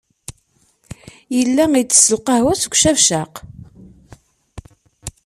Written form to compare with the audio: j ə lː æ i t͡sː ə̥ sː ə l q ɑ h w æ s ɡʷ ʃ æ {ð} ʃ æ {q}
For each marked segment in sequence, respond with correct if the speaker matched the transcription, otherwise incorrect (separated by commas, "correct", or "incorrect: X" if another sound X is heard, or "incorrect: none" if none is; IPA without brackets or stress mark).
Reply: incorrect: v, correct